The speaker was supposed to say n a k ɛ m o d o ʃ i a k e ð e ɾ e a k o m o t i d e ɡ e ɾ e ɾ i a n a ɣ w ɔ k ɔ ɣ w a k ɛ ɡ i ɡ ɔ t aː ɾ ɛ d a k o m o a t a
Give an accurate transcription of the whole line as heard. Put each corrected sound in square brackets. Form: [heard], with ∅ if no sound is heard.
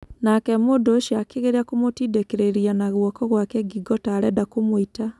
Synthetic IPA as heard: n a k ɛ m o d o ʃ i a k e [ɣ] e ɾ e a k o m o t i d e [k] e ɾ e ɾ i a n a ɣ w ɔ k ɔ ɣ w a k ɛ ɡ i ɡ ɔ t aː ɾ ɛ d a k o m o [i] t a

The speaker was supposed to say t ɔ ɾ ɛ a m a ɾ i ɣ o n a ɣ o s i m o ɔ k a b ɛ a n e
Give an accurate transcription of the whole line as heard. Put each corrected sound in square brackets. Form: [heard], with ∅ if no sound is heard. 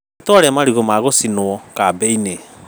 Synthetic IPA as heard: t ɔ ɾ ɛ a m a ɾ i ɣ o [m] a ɣ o s i [n] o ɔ k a b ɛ [i] n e

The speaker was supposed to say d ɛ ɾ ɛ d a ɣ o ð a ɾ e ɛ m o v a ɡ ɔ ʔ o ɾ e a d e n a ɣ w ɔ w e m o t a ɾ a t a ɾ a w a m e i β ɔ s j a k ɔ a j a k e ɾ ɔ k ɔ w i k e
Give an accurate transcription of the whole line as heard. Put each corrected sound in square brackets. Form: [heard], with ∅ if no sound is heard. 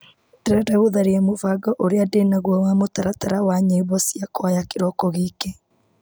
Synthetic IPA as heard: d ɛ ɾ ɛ d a ɣ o ð a ɾ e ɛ m o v a ɡ ɔ ʔ o ɾ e a d e n a ɣ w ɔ w [a] m o t a ɾ a t a ɾ a w a [ɲ] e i β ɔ s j a k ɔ a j a k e ɾ ɔ k ɔ [ɣ] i k e

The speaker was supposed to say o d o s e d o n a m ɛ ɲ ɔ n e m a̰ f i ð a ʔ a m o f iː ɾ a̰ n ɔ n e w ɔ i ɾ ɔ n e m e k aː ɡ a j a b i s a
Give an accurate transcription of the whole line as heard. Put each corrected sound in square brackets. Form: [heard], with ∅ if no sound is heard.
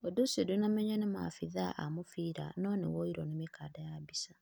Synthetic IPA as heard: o d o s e d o n a m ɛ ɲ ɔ n e m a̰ f i ð a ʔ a m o f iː ɾ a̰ n ɔ n e w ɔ i ɾ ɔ n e m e k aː [d] a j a b i s a

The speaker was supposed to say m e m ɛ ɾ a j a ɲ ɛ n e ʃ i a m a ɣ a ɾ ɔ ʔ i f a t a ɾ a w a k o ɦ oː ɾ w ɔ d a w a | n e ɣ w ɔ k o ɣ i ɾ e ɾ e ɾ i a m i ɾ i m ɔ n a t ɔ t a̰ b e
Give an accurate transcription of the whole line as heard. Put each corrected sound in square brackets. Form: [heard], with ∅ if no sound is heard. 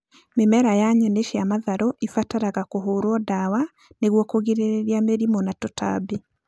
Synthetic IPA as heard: m e m ɛ ɾ a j a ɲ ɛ n e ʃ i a m a [ð] a ɾ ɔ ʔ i f a t a ɾ a [ɣ] a k o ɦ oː ɾ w ɔ d a w a | n e ɣ w ɔ k o ɣ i ɾ e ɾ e ɾ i a m [e] ɾ i m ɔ n a t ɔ t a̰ b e

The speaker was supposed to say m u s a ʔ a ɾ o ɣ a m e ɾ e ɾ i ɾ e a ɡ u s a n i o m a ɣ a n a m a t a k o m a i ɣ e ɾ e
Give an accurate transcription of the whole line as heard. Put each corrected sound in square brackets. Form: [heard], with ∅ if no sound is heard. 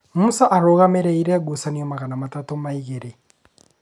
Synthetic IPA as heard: m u s a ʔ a ɾ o ɣ a m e ɾ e [∅] i ɾ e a ɡ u s a n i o m a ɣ a n a m a t a [t] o m a i ɣ e ɾ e

